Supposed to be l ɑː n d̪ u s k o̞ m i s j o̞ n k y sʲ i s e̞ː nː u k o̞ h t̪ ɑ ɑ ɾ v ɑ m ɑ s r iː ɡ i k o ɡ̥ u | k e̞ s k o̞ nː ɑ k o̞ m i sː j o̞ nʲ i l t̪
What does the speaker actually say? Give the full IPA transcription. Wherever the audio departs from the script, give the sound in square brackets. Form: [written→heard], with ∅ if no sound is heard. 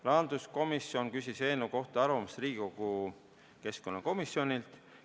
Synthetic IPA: l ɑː n d̪ u s k o̞ m i s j o̞ n k y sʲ i s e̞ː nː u k o̞ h t̪ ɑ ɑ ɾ v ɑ m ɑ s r iː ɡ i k o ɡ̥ u | k e̞ s k o̞ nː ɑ k o̞ m i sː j o̞ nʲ i l t̪